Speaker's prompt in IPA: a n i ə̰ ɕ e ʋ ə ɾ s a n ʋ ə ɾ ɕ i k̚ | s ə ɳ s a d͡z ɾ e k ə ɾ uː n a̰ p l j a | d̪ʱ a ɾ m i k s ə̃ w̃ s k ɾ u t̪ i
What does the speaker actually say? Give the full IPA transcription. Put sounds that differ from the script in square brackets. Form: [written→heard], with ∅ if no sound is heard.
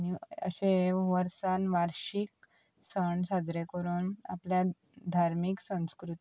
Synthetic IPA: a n i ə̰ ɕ e ʋ ə ɾ s a n ʋ [ə→a] ɾ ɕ i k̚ | s ə ɳ s a d͡z ɾ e k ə ɾ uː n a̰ p l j a | d̪ʱ a ɾ m i k s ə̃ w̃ s k ɾ u t̪ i